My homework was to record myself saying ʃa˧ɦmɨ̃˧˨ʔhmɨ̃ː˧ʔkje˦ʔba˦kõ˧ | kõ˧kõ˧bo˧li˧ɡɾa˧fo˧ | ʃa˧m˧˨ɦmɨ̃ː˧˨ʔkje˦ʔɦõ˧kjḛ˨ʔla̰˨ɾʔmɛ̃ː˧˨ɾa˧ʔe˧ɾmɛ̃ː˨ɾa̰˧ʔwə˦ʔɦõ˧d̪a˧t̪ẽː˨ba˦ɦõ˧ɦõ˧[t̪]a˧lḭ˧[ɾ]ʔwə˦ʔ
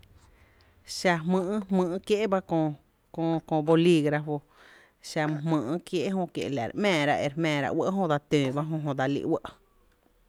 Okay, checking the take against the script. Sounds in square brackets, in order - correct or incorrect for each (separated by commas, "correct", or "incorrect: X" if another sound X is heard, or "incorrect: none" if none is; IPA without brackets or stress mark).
incorrect: d̪, incorrect: none